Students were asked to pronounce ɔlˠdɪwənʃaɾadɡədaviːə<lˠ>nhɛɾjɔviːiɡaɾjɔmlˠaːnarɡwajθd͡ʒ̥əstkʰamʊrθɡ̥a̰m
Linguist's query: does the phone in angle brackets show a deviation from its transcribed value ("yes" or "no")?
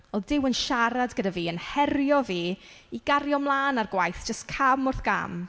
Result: yes